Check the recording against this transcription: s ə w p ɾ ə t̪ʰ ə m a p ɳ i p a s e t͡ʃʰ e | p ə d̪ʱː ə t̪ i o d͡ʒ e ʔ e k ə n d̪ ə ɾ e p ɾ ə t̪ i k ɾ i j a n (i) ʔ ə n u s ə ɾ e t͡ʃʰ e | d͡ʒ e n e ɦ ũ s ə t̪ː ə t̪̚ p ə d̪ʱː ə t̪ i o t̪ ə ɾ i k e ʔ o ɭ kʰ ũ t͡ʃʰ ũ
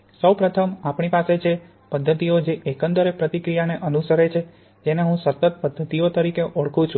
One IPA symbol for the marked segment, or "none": e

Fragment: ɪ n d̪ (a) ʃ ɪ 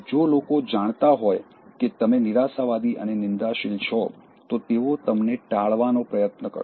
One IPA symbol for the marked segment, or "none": a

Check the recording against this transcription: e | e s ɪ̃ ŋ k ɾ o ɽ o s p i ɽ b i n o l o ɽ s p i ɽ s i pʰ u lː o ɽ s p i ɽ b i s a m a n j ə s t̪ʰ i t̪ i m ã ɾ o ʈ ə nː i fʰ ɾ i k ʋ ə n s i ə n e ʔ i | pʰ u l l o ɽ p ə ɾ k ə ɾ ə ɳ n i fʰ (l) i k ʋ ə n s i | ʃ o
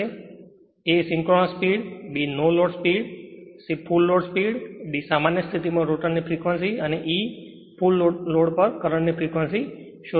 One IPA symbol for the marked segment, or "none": ɾ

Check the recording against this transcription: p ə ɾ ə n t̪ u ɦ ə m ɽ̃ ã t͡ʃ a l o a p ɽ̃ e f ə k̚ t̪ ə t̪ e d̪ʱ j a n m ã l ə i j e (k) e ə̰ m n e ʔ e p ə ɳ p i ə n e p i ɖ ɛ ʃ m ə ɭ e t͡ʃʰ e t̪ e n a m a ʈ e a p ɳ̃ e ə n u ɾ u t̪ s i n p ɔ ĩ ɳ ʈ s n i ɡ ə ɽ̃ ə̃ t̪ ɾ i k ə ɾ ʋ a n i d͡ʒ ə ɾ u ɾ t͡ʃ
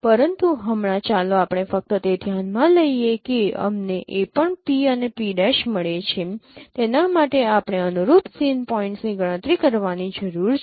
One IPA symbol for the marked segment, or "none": k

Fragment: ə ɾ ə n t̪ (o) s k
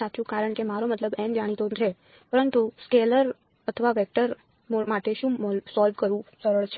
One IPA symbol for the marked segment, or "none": u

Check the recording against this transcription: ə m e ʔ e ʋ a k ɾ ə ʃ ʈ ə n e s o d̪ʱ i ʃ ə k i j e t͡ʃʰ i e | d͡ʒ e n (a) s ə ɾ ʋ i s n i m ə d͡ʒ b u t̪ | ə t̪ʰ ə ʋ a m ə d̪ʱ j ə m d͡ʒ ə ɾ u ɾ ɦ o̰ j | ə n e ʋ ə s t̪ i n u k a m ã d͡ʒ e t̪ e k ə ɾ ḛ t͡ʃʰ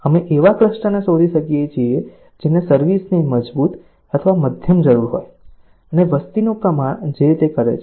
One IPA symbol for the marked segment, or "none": e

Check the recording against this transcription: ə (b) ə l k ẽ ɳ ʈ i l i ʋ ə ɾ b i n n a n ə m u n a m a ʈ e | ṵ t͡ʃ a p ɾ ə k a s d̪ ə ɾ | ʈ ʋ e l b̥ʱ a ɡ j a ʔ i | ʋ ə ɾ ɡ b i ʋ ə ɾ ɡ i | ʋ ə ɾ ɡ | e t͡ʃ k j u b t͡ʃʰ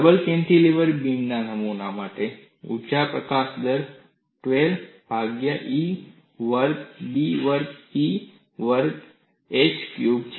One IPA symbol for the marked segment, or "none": b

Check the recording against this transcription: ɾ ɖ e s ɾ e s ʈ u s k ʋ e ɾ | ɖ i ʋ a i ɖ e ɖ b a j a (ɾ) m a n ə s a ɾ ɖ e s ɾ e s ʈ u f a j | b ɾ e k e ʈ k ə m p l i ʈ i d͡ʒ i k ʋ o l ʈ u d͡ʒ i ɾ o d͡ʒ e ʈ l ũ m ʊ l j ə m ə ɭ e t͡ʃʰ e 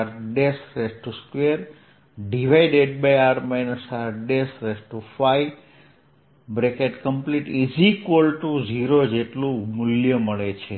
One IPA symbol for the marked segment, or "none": ɾ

